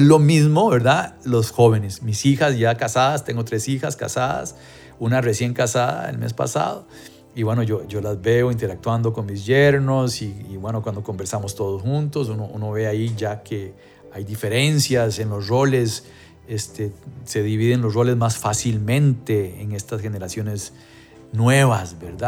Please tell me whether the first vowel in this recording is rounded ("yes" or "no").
yes